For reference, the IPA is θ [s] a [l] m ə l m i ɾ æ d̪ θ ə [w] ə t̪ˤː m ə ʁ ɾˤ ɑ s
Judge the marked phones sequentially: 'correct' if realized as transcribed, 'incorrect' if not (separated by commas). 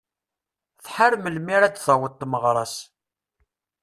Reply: incorrect, incorrect, correct